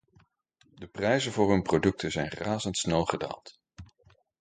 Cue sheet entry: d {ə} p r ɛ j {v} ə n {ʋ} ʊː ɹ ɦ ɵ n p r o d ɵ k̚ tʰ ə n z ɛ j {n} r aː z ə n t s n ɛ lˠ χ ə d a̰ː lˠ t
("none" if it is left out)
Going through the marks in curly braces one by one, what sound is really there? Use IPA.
ə, z, v, n

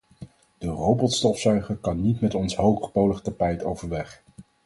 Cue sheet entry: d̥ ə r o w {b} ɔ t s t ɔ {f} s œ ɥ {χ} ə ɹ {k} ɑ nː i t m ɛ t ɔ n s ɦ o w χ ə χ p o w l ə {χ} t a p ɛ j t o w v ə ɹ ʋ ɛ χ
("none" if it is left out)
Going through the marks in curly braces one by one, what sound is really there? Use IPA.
b, f, χ, k, χ

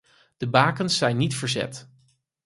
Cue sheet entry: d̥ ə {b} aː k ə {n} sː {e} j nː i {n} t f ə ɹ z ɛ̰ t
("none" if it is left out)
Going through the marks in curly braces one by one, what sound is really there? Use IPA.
b, n, ɛ, none

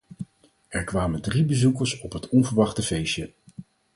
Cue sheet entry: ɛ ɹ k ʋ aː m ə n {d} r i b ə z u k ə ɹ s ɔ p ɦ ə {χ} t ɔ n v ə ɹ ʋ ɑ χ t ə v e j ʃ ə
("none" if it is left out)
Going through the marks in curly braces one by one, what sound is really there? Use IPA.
d, none

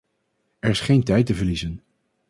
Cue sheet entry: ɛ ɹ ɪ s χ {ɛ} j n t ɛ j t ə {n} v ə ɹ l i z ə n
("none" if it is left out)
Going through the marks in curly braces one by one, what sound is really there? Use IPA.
e, none

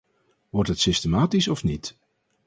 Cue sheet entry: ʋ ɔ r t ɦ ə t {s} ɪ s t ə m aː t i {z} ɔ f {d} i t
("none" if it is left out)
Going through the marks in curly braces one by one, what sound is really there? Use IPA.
s, s, n

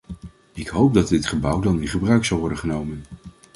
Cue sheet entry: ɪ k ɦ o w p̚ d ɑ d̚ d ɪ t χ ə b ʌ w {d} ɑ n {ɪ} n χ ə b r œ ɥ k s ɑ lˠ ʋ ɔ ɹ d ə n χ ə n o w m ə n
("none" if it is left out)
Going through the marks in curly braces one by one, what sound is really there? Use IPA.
d, ɪ

